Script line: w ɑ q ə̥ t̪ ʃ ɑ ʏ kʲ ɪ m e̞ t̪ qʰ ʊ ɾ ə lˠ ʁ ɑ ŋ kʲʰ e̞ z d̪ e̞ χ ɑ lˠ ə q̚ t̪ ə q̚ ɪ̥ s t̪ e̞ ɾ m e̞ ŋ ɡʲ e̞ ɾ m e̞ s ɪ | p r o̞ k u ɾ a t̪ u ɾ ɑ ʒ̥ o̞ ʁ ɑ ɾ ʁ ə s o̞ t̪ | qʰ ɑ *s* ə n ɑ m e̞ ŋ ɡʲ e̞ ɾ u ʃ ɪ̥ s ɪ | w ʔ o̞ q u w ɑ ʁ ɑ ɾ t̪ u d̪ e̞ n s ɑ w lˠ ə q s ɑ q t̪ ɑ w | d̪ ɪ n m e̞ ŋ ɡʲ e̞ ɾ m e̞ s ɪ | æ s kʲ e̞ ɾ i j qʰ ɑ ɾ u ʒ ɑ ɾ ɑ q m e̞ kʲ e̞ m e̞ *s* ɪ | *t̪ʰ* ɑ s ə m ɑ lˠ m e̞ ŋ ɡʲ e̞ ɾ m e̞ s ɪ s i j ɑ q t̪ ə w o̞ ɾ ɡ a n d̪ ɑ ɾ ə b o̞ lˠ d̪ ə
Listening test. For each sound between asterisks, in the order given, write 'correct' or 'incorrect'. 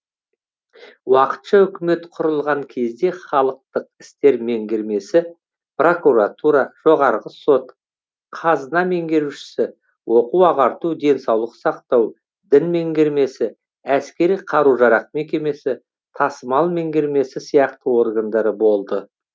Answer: incorrect, correct, correct

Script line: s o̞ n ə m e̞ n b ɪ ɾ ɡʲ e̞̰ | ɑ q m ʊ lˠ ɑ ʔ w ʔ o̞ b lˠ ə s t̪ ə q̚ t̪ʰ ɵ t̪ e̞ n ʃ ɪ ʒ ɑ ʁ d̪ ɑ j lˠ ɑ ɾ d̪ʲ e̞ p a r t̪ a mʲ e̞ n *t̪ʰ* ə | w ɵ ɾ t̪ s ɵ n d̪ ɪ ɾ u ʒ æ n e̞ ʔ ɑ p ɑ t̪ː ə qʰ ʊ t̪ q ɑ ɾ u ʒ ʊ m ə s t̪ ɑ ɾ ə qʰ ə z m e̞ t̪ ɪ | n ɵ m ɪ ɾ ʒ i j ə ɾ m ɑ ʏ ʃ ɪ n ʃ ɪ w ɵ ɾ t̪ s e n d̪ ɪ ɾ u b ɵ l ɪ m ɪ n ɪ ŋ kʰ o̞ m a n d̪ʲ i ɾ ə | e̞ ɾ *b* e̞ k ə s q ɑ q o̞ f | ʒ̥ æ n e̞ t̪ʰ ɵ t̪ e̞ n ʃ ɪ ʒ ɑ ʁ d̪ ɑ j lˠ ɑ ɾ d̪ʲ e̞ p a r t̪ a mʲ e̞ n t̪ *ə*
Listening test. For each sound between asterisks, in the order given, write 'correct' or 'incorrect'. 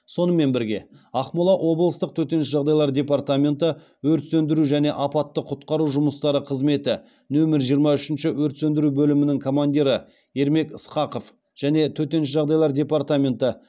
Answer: incorrect, incorrect, correct

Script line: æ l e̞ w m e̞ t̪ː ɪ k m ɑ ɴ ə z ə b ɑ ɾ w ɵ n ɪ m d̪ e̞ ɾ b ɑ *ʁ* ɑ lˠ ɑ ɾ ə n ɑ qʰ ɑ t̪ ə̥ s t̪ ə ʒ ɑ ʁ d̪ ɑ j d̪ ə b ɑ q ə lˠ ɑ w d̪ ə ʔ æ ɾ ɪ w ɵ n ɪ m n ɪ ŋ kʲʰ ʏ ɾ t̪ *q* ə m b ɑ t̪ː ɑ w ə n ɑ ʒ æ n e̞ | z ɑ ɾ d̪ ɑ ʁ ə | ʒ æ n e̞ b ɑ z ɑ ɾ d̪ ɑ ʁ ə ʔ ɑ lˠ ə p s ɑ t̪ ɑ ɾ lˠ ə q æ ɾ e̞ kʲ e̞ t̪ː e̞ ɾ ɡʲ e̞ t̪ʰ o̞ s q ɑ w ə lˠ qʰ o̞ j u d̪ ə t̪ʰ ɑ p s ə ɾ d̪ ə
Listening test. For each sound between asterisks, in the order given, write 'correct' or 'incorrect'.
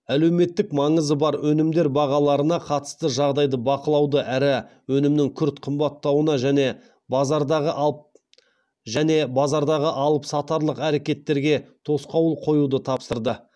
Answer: correct, incorrect

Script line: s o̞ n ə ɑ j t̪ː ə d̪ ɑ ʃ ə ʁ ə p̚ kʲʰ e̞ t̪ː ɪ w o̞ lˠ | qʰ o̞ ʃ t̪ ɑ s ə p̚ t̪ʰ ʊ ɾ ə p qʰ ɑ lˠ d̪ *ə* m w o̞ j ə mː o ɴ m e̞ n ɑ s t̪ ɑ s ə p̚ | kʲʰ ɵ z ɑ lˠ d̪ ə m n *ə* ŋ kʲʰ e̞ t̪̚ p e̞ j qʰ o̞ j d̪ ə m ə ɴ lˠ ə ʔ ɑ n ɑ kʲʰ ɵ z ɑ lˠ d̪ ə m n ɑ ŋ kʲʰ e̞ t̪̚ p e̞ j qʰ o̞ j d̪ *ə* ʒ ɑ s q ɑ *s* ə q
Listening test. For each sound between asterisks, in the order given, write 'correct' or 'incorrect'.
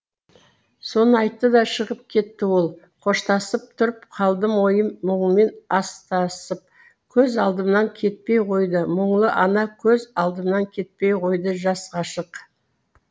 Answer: correct, incorrect, correct, incorrect

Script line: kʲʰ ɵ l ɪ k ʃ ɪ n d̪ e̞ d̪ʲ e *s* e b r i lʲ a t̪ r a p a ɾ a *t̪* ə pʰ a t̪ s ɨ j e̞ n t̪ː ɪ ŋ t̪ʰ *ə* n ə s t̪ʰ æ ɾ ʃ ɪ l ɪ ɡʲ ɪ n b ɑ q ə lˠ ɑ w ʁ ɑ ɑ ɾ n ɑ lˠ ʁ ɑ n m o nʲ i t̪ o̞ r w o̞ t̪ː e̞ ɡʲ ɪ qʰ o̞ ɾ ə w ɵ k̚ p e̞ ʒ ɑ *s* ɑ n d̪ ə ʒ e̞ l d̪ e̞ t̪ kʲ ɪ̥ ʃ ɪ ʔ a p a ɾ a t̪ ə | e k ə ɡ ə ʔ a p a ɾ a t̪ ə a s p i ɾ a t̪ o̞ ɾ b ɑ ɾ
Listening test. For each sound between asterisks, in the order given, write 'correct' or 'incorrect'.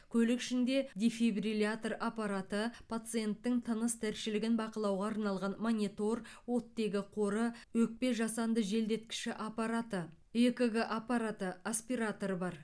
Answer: incorrect, correct, correct, correct

